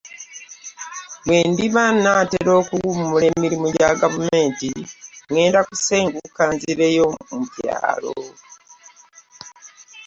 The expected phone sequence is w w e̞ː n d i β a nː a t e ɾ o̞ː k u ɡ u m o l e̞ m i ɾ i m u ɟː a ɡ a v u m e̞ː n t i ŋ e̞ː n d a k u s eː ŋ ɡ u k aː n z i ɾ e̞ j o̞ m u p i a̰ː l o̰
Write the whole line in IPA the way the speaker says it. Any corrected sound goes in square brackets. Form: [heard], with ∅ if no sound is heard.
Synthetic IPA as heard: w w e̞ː n d i β a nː a t e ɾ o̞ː k u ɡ u m [u] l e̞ m i ɾ i m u [ɟ] a ɡ a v u m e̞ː n t i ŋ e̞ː n d a k u s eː ŋ ɡ u k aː n z i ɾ e̞ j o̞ m u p [j] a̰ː l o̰